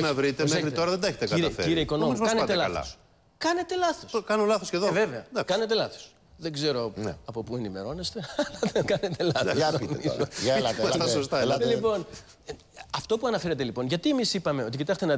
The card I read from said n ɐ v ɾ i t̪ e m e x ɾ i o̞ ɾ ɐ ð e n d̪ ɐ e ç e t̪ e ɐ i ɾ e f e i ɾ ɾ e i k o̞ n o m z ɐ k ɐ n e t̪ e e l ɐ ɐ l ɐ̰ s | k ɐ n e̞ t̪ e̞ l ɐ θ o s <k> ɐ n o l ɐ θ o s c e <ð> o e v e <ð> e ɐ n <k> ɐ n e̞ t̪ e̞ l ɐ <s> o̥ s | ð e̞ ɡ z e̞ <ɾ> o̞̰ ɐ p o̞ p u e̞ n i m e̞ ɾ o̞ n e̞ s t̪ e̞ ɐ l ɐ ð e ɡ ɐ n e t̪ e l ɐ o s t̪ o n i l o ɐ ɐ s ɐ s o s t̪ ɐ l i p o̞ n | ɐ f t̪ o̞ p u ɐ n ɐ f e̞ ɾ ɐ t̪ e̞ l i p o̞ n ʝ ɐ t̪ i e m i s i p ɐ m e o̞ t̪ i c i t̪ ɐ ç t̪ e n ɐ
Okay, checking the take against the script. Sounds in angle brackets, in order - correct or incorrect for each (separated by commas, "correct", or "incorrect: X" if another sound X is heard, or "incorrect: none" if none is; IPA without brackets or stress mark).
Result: correct, correct, incorrect: v, correct, incorrect: θ, correct